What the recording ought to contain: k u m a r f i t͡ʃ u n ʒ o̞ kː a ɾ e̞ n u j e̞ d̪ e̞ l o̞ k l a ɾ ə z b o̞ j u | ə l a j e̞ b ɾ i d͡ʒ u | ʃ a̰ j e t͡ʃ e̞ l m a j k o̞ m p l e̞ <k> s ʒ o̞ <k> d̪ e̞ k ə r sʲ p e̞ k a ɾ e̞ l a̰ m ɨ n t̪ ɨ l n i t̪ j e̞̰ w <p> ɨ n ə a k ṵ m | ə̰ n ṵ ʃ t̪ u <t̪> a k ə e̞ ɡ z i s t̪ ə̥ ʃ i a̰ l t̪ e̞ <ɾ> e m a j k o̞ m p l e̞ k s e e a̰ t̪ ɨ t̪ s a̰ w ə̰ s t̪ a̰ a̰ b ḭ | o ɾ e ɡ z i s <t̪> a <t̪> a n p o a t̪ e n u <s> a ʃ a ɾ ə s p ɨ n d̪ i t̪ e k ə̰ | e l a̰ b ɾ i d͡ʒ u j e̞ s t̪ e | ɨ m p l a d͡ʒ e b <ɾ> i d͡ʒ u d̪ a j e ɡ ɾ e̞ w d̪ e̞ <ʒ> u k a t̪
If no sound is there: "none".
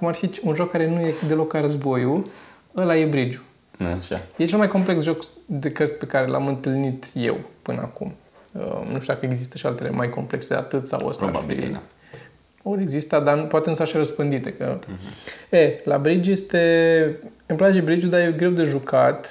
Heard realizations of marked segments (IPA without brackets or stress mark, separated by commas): k, k, p, d̪, l, t̪, d̪, s, ɾ, ʒ